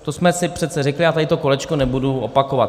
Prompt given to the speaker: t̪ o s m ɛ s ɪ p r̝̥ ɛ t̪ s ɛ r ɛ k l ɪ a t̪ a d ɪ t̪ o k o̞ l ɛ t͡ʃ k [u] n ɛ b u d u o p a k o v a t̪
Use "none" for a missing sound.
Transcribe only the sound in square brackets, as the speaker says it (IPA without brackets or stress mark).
o